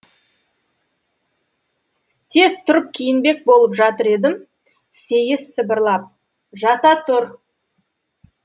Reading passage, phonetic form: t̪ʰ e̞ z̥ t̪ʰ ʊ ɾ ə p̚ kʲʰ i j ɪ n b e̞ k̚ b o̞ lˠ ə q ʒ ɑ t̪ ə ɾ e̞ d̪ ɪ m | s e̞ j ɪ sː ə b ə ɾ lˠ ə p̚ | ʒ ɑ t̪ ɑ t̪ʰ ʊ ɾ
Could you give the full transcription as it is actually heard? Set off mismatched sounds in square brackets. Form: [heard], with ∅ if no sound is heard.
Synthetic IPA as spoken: t̪ʰ e̞ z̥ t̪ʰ ʊ ɾ ə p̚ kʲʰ i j ɪ n b e̞ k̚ b o̞ lˠ ə [p] ʒ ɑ t̪ ə ɾ e̞ d̪ ɪ m | s e̞ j ɪ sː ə b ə ɾ lˠ [ɑ] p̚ | ʒ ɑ t̪ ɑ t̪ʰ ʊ ɾ